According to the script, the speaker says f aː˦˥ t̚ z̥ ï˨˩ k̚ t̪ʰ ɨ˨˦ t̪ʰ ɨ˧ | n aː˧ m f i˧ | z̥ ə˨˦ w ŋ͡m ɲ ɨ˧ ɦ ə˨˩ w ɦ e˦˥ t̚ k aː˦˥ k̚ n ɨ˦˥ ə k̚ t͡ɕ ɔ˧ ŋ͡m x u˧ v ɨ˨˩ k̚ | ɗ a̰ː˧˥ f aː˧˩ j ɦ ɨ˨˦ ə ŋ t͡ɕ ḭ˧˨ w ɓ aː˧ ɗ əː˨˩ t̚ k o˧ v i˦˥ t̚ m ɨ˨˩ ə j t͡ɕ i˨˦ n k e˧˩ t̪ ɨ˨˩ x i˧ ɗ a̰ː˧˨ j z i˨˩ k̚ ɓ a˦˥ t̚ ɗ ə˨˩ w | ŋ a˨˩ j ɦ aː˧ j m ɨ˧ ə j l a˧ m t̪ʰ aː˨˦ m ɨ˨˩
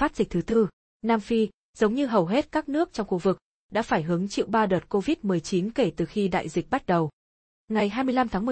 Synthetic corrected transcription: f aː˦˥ t̚ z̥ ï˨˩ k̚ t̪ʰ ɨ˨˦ t̪ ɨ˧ | n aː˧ m f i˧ | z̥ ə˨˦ w ŋ͡m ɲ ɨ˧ ɦ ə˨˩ w ɦ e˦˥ t̚ k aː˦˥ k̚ n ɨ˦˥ ə k̚ t͡ɕ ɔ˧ ŋ͡m x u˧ v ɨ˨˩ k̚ | ɗ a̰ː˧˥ f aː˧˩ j ɦ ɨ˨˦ ə ŋ t͡ɕ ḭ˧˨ w ɓ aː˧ ɗ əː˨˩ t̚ k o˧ v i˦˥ t̚ m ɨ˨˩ ə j t͡ɕ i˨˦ n k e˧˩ t̪ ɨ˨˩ x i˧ ɗ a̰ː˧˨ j z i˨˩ k̚ ɓ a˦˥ t̚ ɗ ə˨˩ w | ŋ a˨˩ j ɦ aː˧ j m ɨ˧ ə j l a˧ m t̪ʰ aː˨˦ m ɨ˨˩

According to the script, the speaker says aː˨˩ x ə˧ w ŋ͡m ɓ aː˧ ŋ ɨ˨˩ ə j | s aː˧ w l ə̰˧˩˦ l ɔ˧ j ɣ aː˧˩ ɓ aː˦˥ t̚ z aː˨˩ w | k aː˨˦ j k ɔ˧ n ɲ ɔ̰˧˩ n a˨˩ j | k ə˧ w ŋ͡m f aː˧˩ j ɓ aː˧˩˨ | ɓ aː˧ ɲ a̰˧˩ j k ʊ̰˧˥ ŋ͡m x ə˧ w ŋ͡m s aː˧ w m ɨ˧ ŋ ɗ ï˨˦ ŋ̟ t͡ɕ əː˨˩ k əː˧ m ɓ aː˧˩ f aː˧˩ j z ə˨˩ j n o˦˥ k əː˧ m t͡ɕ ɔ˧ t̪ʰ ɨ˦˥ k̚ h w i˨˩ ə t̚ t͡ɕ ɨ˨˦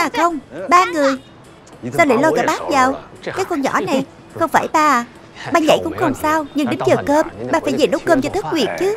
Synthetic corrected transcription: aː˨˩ x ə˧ w ŋ͡m ɓ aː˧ ŋ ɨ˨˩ ə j | s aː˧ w l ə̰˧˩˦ l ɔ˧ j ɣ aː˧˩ ɓ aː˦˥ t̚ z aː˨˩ w | k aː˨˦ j k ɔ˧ n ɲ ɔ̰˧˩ n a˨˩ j | x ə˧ w ŋ͡m f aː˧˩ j ɓ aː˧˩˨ | ɓ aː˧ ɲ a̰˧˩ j k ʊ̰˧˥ ŋ͡m x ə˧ w ŋ͡m s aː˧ w ɲ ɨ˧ ŋ ɗ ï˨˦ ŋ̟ t͡ɕ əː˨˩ k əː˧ m ɓ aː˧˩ f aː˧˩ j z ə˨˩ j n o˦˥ k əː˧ m t͡ɕ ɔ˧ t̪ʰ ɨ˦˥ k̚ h w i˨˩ ə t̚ t͡ɕ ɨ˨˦

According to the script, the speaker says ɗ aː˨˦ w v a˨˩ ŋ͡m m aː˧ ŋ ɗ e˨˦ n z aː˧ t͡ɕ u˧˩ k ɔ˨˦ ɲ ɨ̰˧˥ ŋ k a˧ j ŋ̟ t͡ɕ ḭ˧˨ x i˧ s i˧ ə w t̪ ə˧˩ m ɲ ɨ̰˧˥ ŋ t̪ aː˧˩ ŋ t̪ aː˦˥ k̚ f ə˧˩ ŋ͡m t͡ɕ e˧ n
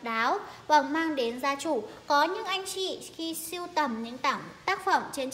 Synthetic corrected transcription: ɗ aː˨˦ w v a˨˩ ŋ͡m m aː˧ ŋ ɗ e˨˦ n z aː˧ t͡ɕ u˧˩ k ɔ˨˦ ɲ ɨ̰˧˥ ŋ ʔ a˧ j ŋ̟ t͡ɕ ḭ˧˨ x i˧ s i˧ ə w t̪ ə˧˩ m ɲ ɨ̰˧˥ ŋ t̪ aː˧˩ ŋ t̪ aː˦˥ k̚ f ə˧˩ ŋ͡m t͡ɕ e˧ n

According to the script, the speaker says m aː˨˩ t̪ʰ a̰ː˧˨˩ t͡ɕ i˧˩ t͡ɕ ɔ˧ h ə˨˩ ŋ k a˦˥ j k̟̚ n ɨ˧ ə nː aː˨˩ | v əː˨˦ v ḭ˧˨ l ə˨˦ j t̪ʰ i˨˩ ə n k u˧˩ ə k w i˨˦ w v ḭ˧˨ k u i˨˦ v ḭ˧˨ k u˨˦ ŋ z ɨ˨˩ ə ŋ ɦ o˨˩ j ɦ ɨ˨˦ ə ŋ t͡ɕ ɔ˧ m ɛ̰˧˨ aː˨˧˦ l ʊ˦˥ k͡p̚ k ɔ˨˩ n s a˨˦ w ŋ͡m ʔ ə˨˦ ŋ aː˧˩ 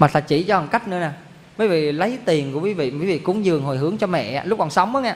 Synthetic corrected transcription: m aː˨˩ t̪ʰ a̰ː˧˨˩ t͡ɕ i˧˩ t͡ɕ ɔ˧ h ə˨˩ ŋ k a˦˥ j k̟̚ n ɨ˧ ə n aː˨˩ | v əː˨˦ v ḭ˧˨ l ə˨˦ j t̪ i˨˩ ə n k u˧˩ ə k w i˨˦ v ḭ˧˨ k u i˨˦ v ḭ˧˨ k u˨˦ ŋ z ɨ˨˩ ə ŋ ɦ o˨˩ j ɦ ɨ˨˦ ə ŋ t͡ɕ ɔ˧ m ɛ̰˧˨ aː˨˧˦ l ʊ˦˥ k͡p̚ k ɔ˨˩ n s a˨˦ w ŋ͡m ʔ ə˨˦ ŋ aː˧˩

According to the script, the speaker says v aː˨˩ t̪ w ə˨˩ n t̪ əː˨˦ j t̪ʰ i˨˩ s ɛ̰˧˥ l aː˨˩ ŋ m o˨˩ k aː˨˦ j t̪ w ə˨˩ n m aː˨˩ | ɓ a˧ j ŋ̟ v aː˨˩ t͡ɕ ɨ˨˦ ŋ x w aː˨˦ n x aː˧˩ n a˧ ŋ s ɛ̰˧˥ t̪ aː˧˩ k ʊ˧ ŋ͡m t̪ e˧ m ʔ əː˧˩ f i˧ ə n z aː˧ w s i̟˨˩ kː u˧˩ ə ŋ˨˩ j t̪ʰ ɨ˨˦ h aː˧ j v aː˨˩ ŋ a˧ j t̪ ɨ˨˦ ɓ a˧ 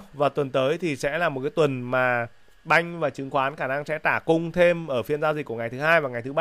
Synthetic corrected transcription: v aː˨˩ t̪ w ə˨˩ n t̪ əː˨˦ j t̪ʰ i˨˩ s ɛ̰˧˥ l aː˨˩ m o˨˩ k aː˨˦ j t̪ w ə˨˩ n m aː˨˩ | ɓ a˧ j ŋ̟ v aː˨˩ t͡ɕ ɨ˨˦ ŋ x w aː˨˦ n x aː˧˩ n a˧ ŋ s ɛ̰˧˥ t̪ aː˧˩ k ʊ˧ ŋ͡m t̪ʰ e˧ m ʔ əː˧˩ f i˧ ə n z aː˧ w z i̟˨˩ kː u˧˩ ə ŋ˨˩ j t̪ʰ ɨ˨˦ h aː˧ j v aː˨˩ ŋ a˨˩ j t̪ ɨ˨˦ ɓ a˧

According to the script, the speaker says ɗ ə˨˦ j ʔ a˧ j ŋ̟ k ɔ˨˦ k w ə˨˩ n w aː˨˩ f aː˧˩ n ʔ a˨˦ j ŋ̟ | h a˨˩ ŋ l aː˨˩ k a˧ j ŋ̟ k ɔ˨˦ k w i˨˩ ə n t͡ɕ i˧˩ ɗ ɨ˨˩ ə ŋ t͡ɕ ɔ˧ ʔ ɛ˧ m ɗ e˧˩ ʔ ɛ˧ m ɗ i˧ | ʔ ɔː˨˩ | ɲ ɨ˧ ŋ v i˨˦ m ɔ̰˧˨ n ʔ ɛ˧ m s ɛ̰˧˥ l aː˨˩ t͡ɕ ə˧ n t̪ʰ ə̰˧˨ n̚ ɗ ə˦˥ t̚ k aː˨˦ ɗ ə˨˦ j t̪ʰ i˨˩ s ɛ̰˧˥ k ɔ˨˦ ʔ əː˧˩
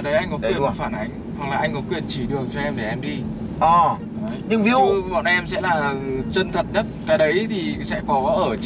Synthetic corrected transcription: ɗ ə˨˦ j ʔ a˧ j ŋ̟ k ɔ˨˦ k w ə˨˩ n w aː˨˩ f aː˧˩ n ʔ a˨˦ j ŋ̟ | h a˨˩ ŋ l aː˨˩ ʔ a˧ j ŋ̟ k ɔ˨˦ k w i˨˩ ə n t͡ɕ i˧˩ ɗ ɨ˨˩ ə ŋ t͡ɕ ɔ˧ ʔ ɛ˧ m ɗ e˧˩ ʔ ɛ˧ m ɗ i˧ | ʔ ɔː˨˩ | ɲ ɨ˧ ŋ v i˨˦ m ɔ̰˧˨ n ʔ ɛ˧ m s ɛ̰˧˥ l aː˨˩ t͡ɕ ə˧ n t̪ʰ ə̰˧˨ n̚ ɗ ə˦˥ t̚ k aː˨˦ ɗ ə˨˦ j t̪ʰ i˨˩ s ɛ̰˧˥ k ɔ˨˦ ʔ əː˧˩

